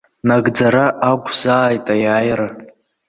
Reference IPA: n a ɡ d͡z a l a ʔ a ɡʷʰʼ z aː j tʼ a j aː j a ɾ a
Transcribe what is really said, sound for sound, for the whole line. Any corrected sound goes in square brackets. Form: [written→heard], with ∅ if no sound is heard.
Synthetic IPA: n a ɡ d͡z a [l→ɾ] a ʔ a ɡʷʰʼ z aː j tʼ a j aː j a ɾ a